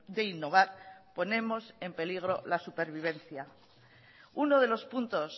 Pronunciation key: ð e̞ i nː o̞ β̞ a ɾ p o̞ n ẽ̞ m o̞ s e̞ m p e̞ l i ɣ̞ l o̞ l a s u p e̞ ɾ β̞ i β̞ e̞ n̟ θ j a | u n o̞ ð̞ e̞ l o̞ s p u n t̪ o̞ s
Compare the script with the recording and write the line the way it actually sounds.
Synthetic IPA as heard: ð e̞ i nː o̞ β̞ a ɾ p o̞ n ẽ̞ m o̞ s e̞ m p e̞ l i ɣ̞ ɾ o̞ l a s u p e̞ ɾ β̞ i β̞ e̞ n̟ θ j a | u n o̞ ð̞ e̞ l o̞ s p u n t̪ o̞ s